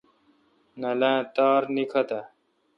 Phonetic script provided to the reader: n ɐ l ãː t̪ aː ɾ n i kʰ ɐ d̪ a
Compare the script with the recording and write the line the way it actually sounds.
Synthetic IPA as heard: n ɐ l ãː t̪ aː ɾ n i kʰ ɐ t̪ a